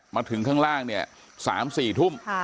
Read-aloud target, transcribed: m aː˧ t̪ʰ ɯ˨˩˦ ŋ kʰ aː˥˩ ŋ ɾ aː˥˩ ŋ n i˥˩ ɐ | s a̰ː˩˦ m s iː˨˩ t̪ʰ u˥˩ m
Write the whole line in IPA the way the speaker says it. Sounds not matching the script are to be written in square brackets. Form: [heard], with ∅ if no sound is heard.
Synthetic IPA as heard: m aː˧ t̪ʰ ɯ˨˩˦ ŋ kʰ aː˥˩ ŋ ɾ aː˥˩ ŋ n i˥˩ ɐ | s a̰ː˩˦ m s iː˨˩ t̪ʰ u˥˩ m